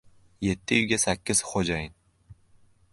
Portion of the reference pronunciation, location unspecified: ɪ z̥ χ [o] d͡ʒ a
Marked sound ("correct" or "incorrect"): correct